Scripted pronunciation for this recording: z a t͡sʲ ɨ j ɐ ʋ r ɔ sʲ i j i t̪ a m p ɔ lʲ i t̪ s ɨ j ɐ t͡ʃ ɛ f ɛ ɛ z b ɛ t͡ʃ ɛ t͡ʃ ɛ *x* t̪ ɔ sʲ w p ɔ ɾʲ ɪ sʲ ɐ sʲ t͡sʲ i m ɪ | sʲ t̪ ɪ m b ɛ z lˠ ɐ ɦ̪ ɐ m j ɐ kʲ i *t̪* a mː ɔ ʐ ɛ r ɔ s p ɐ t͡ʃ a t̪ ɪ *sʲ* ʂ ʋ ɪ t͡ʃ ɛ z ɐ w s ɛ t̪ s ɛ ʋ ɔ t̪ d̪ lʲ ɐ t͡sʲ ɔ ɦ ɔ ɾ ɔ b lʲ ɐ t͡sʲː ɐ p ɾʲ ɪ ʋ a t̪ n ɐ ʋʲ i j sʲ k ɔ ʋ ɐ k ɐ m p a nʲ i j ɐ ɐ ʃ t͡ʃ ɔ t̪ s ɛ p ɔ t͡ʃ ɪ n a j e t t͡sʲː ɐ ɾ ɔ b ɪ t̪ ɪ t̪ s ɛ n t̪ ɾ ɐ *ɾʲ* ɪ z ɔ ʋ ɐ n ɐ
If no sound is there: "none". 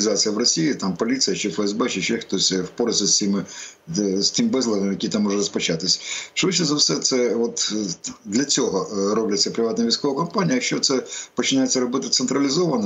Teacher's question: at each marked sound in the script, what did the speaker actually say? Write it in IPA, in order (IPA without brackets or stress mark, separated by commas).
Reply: x, t̪, sʲ, lʲ